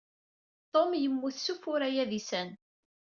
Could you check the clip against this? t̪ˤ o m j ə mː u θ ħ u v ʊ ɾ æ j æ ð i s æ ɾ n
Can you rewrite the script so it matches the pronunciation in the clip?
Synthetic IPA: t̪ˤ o m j ə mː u θ s u f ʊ ɾ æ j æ ð i s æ n